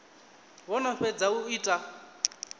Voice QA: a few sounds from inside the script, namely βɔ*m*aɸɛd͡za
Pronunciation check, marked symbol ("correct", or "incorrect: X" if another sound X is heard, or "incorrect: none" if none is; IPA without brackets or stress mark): incorrect: n